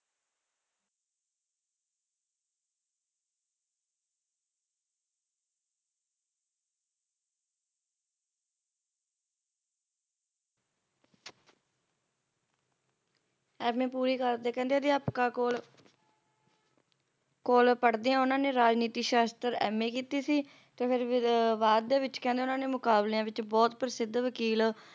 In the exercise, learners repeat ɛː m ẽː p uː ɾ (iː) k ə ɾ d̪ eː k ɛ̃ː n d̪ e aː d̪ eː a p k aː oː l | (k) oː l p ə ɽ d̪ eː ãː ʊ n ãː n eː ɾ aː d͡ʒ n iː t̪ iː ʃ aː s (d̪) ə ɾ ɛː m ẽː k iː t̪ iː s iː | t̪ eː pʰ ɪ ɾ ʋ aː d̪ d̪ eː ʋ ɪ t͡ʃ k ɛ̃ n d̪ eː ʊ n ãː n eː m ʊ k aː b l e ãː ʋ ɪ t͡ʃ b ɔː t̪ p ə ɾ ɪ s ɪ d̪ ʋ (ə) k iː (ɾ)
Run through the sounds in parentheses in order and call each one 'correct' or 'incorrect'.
correct, correct, incorrect: t̪, correct, incorrect: l

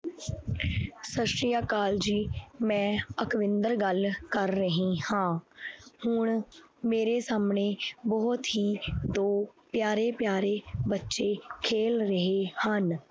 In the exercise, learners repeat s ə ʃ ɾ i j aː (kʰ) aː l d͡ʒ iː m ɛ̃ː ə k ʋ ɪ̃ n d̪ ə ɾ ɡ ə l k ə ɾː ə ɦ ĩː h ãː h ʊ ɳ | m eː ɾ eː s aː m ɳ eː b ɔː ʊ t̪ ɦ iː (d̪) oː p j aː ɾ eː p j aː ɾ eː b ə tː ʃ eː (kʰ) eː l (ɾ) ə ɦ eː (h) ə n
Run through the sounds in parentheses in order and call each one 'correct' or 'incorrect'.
incorrect: k, correct, correct, correct, correct

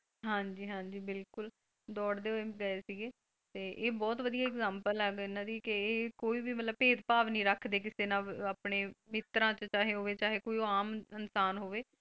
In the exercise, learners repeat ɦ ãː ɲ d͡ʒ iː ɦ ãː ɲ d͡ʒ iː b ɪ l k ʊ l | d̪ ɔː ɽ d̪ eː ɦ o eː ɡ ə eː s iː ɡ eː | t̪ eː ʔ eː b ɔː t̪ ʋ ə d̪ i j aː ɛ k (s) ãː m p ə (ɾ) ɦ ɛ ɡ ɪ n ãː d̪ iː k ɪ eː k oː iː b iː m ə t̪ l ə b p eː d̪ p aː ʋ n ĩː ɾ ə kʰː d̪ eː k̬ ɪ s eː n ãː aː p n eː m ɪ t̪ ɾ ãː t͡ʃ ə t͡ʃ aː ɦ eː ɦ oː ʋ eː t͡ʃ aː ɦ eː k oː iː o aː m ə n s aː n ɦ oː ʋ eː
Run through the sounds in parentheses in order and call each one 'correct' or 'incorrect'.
incorrect: z, incorrect: l

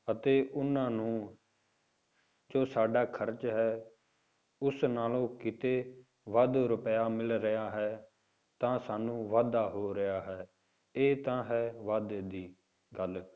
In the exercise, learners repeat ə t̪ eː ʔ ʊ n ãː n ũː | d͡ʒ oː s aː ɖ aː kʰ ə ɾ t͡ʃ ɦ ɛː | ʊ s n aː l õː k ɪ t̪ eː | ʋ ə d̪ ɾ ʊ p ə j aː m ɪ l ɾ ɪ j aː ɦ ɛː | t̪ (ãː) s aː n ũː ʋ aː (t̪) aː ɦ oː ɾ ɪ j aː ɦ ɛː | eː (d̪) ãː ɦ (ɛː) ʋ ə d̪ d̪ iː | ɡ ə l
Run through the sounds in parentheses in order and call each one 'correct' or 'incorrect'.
correct, incorrect: d̪, incorrect: t̪, correct

